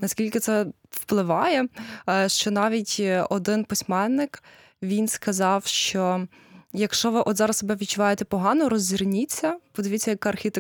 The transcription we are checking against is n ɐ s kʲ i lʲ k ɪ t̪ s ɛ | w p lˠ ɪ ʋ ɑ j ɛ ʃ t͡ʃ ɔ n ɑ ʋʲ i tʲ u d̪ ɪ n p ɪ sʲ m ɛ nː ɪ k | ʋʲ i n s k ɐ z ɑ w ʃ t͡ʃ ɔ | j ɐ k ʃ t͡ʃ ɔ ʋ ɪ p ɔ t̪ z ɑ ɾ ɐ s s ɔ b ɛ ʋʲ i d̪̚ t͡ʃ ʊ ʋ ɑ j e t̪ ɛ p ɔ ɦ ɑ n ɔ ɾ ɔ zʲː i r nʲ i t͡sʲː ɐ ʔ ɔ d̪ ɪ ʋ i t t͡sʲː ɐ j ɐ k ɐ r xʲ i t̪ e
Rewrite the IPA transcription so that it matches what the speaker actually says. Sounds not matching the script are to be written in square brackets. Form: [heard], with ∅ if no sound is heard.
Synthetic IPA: n ɐ s kʲ i lʲ k ɪ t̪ s ɛ | w p lˠ ɪ ʋ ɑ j ɛ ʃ t͡ʃ ɔ n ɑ ʋʲ i tʲ [ɔ] d̪ ɪ n p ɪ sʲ m ɛ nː ɪ k | ʋʲ i n s k ɐ z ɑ w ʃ t͡ʃ ɔ | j ɐ k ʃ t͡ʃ ɔ ʋ ɪ [ʔ] ɔ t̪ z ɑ ɾ ɐ s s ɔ b ɛ ʋʲ i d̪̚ t͡ʃ ʊ ʋ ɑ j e t̪ ɛ p ɔ ɦ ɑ n ɔ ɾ ɔ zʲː i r nʲ i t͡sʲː ɐ [p] ɔ d̪ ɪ ʋ i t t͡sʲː ɐ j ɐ k ɐ r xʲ i t̪ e